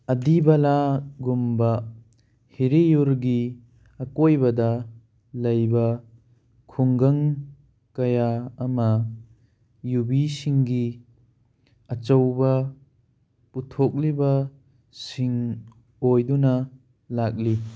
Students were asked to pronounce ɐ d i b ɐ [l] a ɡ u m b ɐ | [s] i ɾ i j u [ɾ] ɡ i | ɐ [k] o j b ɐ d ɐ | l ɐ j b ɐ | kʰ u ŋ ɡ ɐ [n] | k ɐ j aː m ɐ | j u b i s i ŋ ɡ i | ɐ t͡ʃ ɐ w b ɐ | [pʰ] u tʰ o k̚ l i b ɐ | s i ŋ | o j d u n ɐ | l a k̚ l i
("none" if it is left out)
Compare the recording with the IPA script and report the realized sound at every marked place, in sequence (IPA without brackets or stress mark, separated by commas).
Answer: l, h, ɾ, k, ŋ, p